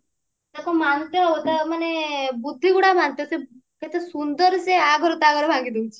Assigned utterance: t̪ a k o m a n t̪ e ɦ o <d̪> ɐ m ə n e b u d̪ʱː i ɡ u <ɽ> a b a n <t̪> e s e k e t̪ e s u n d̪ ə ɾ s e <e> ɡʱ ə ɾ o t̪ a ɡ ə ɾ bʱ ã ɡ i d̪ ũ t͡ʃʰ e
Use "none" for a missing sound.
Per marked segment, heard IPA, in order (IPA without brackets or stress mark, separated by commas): t̪, ɽ, t̪, a